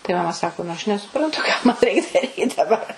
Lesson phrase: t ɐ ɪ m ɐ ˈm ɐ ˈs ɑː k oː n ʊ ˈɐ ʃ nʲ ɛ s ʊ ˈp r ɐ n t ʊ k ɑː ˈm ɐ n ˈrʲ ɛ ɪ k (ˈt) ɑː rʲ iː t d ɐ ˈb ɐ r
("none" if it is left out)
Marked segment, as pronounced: d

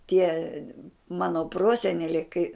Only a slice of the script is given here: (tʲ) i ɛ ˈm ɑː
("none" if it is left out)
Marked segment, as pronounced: tʲ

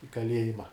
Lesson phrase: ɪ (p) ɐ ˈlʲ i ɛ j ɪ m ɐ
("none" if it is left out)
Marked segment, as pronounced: k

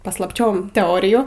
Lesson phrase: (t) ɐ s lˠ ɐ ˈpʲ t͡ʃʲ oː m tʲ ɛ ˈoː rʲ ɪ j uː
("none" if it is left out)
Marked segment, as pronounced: p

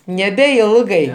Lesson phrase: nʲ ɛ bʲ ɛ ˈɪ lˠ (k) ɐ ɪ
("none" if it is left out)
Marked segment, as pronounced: ɡ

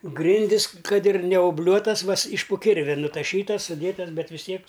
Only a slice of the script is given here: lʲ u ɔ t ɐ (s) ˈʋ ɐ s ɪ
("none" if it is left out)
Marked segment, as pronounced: s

